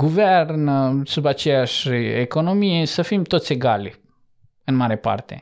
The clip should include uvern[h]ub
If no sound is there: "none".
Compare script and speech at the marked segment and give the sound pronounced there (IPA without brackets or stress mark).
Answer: s